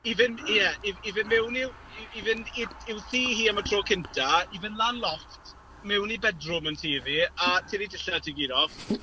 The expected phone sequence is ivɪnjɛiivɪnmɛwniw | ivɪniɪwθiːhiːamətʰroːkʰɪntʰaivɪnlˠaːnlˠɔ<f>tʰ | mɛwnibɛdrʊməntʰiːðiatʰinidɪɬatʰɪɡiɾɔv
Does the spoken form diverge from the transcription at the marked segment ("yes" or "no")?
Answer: no